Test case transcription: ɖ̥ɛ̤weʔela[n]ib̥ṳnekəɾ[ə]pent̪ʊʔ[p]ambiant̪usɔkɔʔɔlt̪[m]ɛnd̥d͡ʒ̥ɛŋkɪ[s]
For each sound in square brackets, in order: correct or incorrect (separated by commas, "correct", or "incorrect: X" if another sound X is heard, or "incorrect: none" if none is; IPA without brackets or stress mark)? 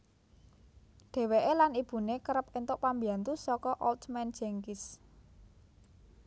correct, correct, correct, correct, correct